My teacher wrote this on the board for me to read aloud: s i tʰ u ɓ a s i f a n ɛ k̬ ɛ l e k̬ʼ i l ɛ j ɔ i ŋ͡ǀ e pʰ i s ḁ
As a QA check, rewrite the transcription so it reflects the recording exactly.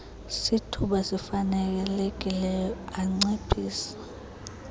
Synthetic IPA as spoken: s i tʰ u ɓ a s i f a n ɛ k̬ ɛ l e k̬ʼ i l ɛ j ɔ a ŋ͡ǀ e pʰ iː s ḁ